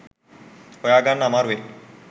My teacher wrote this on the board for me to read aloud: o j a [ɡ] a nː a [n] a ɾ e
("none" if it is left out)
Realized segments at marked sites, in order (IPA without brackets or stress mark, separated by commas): ɡ, m